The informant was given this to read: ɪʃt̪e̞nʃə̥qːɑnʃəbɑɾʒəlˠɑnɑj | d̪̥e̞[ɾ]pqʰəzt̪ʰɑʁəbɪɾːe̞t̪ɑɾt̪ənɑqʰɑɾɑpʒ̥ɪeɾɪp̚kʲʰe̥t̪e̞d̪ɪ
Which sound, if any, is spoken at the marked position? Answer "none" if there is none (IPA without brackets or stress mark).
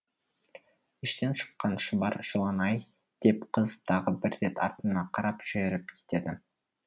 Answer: none